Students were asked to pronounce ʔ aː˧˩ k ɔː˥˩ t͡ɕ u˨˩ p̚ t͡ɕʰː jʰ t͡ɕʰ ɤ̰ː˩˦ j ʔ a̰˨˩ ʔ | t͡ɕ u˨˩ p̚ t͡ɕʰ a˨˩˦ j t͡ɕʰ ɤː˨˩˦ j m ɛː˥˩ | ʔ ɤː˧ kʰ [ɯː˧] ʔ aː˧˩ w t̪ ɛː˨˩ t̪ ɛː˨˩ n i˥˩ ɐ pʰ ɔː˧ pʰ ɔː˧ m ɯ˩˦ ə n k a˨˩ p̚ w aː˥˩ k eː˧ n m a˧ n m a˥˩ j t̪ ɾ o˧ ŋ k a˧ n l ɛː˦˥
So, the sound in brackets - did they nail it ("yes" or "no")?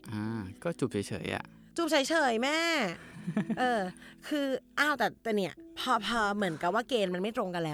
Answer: yes